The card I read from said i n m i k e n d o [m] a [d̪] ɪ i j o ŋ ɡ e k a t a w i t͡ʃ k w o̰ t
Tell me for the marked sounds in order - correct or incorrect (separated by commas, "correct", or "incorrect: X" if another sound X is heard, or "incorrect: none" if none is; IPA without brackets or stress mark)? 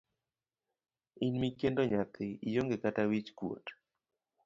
incorrect: ɲ, incorrect: t̪